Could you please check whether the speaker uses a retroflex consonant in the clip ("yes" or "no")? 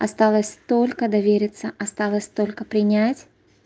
no